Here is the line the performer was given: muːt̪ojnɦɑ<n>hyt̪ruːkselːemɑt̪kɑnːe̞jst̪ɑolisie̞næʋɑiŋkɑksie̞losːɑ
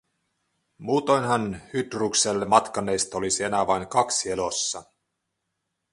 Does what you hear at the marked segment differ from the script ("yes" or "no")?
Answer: no